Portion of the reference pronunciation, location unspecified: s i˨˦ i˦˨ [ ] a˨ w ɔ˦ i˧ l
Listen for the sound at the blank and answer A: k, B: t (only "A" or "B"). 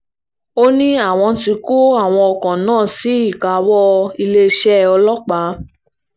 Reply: A